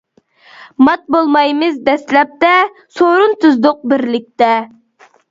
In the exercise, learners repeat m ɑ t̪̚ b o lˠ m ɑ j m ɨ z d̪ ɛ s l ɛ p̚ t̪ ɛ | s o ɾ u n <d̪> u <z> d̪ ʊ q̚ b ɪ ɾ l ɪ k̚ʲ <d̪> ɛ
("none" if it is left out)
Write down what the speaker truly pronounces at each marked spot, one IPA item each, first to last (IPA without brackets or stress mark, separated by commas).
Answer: t̪, z, t̪